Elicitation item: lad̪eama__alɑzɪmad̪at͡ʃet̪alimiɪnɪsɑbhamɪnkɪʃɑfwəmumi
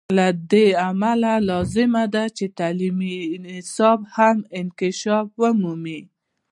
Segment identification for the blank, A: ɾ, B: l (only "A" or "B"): B